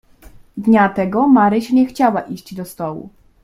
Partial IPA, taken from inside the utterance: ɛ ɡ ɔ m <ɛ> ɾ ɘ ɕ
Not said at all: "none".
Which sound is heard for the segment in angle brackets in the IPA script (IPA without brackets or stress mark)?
a